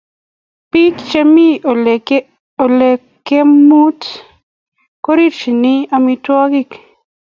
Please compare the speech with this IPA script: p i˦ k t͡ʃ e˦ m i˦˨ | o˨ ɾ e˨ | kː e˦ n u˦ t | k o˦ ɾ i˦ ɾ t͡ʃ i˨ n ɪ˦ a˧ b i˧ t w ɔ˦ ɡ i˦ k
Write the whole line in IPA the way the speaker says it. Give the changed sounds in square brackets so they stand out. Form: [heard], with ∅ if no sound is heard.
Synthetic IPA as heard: p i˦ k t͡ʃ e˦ m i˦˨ | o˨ [l] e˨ | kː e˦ [m] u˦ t | k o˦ ɾ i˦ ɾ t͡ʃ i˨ n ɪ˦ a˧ [m] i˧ t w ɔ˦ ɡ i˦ k

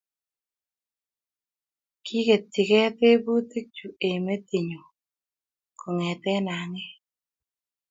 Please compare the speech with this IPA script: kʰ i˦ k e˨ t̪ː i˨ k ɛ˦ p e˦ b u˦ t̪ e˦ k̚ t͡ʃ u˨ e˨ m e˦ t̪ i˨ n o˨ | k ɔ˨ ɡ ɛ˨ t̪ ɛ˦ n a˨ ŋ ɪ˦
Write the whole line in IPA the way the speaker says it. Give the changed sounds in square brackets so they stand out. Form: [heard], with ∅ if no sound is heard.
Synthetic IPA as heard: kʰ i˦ k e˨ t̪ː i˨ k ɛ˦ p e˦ b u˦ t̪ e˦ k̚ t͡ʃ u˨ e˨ m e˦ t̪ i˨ [ɲ] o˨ | k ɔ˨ [ŋ] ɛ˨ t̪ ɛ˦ n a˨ ŋ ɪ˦

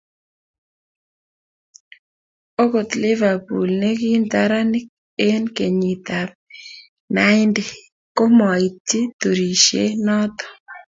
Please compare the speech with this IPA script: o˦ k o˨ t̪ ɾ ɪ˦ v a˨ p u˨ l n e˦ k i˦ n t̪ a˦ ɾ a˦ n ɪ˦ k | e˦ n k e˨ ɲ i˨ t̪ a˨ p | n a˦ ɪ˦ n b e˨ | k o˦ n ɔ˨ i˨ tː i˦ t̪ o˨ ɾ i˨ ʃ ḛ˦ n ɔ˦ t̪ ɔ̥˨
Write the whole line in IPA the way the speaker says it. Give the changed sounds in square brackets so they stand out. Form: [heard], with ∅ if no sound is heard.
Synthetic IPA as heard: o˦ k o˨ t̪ [l] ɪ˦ v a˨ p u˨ l n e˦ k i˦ n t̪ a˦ ɾ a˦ n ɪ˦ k | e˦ n k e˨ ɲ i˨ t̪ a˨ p | n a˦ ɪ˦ n [d] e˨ | k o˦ [m] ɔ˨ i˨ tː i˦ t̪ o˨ ɾ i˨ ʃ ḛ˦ n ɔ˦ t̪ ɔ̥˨

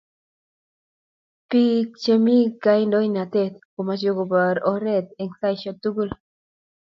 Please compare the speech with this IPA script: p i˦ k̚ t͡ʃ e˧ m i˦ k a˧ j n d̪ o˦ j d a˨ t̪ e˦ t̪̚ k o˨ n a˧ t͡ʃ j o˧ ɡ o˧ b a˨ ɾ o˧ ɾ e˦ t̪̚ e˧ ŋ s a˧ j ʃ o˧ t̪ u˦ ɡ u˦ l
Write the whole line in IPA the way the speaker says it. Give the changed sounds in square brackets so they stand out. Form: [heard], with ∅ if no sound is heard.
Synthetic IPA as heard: p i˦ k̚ t͡ʃ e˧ m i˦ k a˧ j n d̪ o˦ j [n] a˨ t̪ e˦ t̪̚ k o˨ [m] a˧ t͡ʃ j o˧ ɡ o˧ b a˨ ɾ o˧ ɾ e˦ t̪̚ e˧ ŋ s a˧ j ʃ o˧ t̪ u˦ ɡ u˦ l

